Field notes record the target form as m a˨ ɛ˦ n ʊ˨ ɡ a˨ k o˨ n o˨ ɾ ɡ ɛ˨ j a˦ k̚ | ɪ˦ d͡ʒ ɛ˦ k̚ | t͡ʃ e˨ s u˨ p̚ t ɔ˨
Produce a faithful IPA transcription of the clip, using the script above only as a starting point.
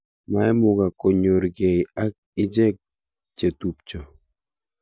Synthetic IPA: m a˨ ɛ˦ m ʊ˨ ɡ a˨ k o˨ ɲ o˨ ɾ ɡ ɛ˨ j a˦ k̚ | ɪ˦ d͡ʒ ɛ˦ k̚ | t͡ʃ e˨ t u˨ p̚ t͡ʃ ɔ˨

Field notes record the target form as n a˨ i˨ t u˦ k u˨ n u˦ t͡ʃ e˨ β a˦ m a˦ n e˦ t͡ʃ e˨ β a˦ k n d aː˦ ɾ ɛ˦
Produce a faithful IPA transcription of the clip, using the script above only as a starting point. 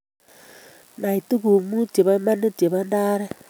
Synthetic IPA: n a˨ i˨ t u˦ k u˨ m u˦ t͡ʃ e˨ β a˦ m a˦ n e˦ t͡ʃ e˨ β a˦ n d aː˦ ɾ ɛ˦

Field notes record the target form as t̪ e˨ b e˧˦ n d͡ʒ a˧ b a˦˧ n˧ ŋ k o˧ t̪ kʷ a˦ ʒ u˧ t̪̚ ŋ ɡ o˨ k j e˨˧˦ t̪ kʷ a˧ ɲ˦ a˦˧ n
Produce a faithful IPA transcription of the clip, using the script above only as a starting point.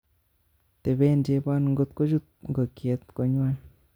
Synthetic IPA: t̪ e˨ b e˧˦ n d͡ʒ e˧ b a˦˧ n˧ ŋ ɡ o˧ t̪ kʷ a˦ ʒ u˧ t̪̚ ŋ ɡ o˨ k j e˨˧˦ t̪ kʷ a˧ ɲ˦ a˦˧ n

